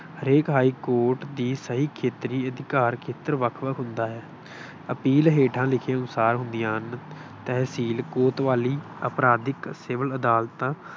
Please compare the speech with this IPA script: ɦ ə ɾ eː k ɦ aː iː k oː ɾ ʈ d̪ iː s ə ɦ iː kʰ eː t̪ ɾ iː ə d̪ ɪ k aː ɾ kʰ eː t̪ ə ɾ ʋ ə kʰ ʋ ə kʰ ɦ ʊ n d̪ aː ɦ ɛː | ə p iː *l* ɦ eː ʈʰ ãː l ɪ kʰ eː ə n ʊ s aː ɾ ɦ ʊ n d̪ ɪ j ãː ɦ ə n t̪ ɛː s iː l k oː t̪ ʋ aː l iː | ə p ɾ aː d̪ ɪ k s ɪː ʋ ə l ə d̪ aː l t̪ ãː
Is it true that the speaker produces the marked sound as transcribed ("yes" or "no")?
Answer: yes